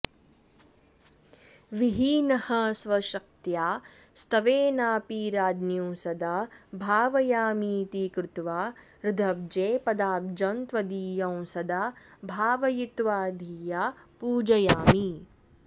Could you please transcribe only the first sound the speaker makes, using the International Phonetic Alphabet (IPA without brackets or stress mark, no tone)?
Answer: ʋ